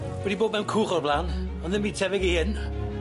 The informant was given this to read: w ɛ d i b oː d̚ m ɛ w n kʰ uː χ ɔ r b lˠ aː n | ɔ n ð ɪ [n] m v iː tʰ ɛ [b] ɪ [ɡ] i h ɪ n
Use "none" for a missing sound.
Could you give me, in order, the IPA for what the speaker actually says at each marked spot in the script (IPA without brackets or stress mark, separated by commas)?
n, v, ɡ